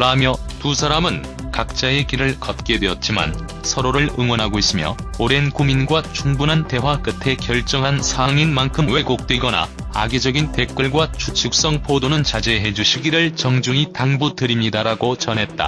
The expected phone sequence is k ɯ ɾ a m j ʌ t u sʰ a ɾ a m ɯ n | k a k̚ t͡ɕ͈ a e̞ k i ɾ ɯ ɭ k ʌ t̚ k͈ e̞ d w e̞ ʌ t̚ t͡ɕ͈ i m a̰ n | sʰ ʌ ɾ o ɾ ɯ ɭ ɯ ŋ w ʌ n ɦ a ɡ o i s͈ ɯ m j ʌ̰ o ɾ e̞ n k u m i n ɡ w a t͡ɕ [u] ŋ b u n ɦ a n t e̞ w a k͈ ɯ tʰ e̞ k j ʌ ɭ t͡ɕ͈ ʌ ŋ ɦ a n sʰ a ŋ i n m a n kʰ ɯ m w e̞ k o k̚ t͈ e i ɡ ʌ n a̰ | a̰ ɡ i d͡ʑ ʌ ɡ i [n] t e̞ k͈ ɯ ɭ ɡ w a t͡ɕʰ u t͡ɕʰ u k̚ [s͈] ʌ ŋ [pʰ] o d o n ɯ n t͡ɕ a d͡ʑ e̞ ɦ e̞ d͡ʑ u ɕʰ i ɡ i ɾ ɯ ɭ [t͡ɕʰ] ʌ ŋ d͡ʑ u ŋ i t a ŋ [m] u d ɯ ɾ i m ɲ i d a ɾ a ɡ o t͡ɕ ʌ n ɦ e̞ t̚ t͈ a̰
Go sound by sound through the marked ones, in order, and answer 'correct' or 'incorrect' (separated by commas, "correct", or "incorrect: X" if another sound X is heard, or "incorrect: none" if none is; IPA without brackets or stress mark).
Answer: correct, correct, correct, correct, incorrect: t͡ɕ, incorrect: b